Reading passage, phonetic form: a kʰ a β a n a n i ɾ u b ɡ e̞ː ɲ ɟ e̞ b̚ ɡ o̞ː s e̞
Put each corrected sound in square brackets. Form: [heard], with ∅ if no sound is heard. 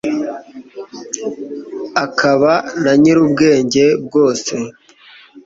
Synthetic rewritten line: a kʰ a β a n a [ɲ] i ɾ u b ɡ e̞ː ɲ ɟ e̞ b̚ ɡ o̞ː s e̞